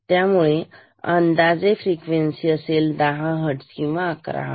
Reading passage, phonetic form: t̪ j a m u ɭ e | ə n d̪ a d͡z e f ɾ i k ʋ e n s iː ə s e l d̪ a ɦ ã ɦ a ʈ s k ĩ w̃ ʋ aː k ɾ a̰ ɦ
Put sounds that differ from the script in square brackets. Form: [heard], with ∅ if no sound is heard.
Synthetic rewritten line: t̪ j a m u ɭ e | ə n d̪ a d͡z e f ɾ i k ʋ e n s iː ə s e l d̪ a ɦ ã ɦ [ə] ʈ s k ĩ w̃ ʋ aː k ɾ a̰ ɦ